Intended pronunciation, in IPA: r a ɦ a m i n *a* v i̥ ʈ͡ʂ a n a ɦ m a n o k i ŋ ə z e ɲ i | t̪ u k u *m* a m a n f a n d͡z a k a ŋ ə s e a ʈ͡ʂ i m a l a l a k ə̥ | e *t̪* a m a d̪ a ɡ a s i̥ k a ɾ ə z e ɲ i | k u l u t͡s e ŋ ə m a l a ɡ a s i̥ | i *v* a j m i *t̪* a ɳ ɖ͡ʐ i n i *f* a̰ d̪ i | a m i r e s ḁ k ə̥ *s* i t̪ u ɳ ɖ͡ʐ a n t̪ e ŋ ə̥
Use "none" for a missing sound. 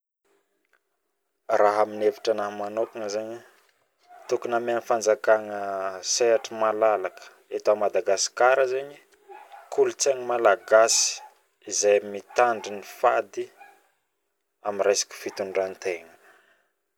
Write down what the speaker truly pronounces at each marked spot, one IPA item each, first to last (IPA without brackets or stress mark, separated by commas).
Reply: e, n, t̪, z, t̪, f, f